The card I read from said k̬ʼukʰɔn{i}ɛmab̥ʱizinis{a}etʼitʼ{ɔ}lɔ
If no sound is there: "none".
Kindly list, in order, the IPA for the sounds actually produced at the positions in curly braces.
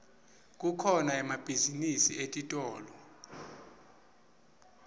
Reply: a, i, ɔː

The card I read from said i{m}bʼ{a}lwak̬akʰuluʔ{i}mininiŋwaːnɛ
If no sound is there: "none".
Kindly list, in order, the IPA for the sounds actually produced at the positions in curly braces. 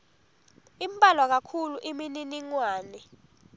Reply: m, a, i

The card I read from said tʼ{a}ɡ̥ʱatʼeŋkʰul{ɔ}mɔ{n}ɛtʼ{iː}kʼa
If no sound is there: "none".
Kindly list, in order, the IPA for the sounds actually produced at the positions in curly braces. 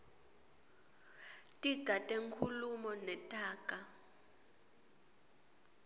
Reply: i, u, n, aː

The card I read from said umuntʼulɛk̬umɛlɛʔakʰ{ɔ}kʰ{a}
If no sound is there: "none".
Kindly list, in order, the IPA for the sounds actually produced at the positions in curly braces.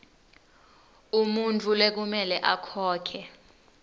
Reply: ɔː, ɛ

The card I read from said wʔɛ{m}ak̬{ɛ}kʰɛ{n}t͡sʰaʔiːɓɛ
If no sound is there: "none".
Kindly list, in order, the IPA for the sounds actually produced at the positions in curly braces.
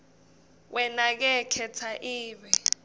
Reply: n, ɛ, none

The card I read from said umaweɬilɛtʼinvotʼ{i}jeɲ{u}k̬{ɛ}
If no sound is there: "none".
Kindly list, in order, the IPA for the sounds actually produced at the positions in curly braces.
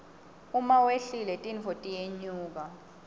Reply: i, uː, a

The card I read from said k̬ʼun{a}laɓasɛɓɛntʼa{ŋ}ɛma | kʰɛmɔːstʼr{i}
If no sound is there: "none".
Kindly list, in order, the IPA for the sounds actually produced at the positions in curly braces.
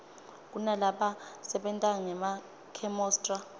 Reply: a, ŋ, a

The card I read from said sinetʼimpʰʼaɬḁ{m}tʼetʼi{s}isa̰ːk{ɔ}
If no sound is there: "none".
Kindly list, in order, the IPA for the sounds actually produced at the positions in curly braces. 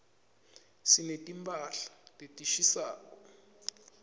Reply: none, ʃ, ɔ

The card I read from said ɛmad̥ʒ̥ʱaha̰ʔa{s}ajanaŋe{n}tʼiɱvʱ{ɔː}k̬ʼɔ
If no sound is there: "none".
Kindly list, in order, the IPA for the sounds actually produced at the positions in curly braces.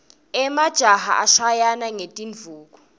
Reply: ʃ, none, uː

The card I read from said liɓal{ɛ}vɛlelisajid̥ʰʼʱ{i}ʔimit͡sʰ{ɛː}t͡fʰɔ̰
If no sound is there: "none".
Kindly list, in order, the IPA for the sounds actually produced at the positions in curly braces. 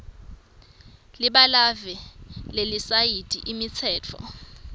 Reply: a, i, ɛː

